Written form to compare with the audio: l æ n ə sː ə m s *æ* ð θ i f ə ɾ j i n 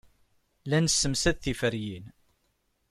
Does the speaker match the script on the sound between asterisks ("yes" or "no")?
yes